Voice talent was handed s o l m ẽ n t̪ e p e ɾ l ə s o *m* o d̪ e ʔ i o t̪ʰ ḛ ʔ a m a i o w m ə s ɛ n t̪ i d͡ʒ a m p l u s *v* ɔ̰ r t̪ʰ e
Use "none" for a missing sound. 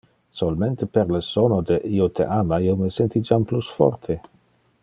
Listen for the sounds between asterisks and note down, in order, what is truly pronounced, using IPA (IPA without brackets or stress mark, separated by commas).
n, f